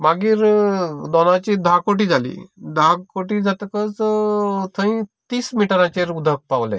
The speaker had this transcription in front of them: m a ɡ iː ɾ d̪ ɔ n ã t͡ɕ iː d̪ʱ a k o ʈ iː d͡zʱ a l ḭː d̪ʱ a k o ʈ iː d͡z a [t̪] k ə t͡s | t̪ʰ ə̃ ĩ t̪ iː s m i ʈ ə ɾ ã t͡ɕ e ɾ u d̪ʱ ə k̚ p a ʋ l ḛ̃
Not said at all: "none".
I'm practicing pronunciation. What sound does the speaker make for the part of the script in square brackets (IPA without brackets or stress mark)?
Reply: t̪